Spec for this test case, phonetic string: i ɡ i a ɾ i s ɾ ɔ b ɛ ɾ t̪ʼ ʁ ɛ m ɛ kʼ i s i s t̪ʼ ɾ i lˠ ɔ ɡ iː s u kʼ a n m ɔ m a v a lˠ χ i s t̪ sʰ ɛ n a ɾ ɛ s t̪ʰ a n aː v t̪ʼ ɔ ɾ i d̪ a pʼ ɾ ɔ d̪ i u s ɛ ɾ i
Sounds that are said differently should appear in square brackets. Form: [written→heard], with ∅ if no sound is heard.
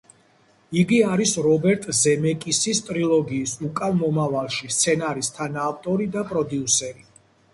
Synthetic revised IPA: i ɡ i a ɾ i s ɾ ɔ b ɛ ɾ t̪ʼ [ʁ→z] ɛ m ɛ kʼ i s i s t̪ʼ ɾ i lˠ ɔ ɡ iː s u kʼ a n m ɔ m a v a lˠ [χ→ʃ] i s t̪ sʰ ɛ n a ɾ [ɛ→i] s t̪ʰ a n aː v t̪ʼ ɔ ɾ i d̪ a pʼ ɾ ɔ d̪ i u s ɛ ɾ i